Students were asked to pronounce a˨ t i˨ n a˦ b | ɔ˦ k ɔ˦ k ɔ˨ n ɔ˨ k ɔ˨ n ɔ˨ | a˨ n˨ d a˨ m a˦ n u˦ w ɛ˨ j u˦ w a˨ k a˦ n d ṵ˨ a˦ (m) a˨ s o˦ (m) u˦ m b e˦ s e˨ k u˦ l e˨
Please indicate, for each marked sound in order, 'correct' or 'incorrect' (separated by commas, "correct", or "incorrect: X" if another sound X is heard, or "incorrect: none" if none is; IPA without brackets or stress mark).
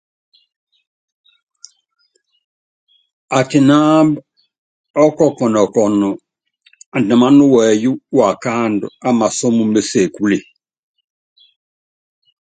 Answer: correct, correct